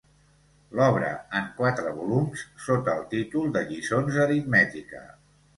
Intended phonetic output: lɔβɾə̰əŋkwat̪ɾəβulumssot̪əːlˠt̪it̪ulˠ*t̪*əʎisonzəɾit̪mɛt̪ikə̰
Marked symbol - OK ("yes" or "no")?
no